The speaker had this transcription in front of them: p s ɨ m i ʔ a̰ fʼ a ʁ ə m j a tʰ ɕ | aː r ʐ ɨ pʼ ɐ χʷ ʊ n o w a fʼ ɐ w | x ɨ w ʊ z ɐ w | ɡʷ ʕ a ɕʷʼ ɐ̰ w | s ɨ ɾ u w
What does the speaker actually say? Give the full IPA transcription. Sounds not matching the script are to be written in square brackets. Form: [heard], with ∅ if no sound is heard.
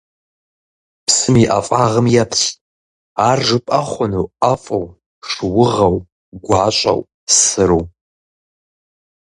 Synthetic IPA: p s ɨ m i ʔ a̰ fʼ a ʁ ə m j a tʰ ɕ | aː r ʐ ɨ pʼ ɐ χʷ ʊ n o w a fʼ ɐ w | [ʂ] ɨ w ʊ [ʁ] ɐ w | ɡʷ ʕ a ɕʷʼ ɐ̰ w | s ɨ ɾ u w